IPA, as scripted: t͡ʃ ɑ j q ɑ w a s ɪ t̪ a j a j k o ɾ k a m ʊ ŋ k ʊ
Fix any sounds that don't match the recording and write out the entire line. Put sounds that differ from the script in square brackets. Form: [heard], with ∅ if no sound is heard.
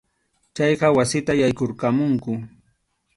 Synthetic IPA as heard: t͡ʃ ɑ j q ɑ w a s ɪ t̪ a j a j k o ɾ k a m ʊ ŋ k ʊ